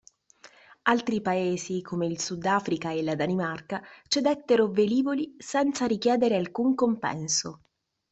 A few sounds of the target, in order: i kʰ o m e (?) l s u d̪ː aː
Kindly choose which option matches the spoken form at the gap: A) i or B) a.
A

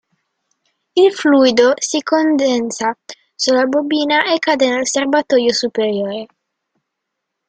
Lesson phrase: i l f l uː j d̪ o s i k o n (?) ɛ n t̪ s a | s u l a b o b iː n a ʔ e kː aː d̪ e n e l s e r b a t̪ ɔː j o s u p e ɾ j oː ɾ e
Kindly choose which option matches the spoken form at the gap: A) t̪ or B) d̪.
B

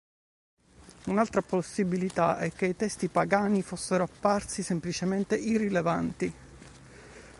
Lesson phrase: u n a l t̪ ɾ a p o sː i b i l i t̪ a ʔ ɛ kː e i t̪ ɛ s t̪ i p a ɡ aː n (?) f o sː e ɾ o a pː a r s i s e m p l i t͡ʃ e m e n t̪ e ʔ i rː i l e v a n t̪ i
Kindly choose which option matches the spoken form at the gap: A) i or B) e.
A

